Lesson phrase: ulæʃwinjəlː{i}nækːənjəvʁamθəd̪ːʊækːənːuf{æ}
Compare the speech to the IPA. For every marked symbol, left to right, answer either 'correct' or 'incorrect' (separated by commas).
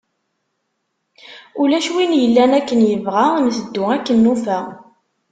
incorrect, correct